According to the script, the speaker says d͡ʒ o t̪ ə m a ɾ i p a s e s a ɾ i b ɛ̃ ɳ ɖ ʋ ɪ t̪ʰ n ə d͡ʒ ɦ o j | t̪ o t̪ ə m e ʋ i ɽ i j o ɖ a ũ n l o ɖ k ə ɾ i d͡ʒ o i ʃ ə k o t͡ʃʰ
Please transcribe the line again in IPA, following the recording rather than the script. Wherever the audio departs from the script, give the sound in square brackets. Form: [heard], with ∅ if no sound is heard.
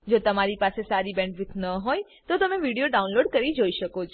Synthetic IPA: d͡ʒ o t̪ ə m a ɾ i p a s e s a ɾ i b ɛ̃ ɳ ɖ ʋ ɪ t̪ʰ n ə [∅] ɦ o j | t̪ o t̪ ə m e ʋ i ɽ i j o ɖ a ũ n l o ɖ k ə ɾ i d͡ʒ o i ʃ ə k o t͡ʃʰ